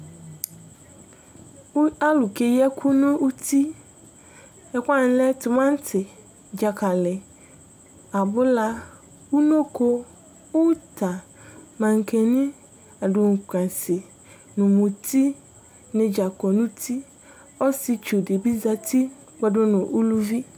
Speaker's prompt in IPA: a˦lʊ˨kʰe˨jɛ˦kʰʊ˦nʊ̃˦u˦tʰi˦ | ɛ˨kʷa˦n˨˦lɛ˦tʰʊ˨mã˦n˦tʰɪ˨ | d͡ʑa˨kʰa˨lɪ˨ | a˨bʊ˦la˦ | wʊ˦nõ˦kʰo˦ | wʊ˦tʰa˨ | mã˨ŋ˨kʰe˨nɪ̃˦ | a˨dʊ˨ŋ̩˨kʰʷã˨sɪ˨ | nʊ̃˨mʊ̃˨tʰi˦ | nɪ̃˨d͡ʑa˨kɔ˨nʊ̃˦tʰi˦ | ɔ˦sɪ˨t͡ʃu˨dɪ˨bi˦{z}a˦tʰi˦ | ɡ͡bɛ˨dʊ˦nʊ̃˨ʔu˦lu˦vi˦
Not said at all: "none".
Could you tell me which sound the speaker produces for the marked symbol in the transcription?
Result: z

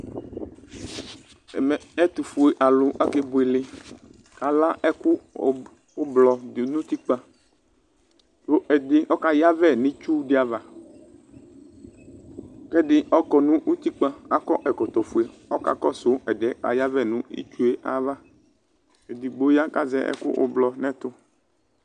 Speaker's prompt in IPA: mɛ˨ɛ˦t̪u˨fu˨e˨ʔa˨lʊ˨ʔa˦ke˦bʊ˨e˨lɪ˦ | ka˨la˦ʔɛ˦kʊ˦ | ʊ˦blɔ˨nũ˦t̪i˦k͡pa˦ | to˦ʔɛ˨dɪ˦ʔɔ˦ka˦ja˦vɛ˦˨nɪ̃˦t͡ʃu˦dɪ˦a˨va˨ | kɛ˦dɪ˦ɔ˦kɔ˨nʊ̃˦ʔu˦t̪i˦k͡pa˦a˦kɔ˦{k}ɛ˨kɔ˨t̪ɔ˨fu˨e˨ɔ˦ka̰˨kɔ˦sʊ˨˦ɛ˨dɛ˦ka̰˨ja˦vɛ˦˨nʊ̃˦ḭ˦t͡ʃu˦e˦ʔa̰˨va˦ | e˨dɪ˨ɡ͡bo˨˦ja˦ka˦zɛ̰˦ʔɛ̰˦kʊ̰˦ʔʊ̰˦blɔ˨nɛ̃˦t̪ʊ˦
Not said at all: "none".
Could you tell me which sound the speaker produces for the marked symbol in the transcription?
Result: ʔ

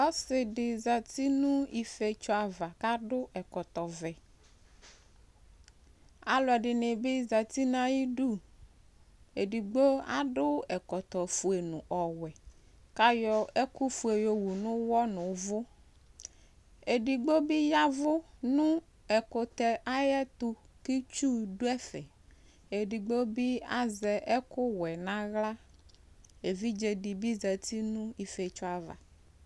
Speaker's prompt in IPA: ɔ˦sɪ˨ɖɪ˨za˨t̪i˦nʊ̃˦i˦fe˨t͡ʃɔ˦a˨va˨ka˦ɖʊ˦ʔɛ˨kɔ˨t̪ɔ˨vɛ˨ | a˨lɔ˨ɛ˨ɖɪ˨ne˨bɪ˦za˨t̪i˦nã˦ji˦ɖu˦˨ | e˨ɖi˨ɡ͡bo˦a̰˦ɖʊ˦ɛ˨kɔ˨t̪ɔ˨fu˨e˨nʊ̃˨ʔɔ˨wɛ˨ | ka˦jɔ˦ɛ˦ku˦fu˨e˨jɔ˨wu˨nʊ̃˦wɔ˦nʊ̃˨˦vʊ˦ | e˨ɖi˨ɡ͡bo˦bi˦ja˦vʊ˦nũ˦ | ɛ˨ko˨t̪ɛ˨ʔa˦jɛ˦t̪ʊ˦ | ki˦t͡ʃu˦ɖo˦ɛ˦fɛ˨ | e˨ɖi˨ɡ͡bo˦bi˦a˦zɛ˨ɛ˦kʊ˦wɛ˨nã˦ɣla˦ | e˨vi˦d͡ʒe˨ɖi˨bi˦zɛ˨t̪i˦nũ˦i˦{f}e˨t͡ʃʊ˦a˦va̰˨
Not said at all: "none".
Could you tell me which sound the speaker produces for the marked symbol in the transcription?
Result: f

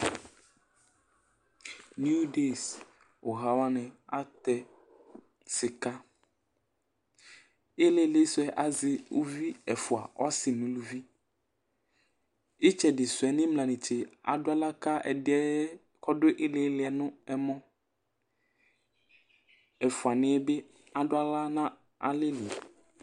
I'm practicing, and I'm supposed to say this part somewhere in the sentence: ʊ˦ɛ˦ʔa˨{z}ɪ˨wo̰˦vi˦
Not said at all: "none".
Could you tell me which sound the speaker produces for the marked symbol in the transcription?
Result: z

